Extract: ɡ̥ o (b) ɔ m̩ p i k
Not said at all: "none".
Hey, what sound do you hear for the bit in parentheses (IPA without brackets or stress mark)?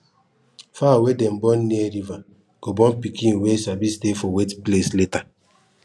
b